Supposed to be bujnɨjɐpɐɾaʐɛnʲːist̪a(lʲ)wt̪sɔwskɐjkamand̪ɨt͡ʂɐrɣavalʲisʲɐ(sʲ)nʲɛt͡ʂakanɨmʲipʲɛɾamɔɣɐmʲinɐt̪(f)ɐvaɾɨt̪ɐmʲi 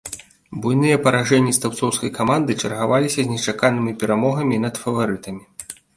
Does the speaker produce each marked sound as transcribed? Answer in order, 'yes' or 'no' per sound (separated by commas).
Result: no, no, yes